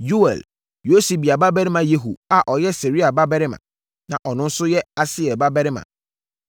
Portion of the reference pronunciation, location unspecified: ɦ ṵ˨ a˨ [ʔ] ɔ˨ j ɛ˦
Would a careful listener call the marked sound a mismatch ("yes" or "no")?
no